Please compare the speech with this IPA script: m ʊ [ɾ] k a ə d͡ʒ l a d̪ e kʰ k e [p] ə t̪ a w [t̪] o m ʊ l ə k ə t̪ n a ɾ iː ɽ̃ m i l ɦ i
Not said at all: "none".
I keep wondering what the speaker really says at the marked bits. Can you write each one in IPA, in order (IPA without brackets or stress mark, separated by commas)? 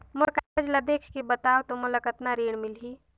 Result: ɾ, b, t̪